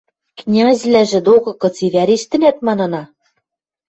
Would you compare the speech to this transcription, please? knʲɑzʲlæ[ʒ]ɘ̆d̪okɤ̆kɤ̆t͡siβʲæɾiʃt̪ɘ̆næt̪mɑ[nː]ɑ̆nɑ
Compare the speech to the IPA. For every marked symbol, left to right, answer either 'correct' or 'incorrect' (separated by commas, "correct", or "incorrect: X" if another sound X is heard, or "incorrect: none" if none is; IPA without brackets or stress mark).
correct, incorrect: n